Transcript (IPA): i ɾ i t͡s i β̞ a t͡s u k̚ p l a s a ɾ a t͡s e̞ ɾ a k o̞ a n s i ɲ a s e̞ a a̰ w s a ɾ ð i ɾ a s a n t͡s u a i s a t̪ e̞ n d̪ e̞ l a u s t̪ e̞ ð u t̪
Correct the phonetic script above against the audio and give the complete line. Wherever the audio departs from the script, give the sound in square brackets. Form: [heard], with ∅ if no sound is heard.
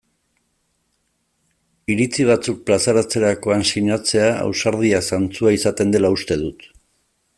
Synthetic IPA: i ɾ i t͡s i β̞ a t͡s u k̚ p l a s a ɾ a t͡s e̞ ɾ a k o̞ a n s i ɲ a [t͡s] e̞ a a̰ w s a ɾ ð i [∅] a s a n t͡s u a i s a t̪ e̞ n d̪ e̞ l a u s t̪ e̞ ð u t̪